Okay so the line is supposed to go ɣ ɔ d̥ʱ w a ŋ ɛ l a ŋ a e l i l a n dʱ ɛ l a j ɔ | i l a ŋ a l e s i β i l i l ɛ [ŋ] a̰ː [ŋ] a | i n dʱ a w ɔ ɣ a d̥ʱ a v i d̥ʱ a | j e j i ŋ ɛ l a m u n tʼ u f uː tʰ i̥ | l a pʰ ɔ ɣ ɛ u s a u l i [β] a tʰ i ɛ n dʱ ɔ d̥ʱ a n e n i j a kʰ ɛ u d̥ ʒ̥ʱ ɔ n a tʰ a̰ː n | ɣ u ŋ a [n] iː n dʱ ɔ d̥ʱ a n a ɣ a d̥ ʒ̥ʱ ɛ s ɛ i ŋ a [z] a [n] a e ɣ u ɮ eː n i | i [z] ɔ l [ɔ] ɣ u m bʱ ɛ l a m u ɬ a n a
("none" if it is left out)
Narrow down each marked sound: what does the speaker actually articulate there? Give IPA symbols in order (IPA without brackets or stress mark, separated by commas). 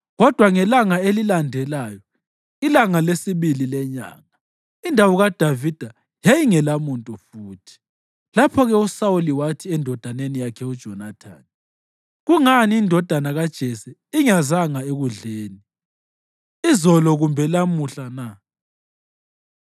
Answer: ɲ, ŋ, w, n, z, ŋ, z, ɔ